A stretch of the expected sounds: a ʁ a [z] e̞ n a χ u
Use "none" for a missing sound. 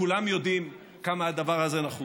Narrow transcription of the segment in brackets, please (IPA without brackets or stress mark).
z